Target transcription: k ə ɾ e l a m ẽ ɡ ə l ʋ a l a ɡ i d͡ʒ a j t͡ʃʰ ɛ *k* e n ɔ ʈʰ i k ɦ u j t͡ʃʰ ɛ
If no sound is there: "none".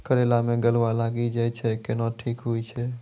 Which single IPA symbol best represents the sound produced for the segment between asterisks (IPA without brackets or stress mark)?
k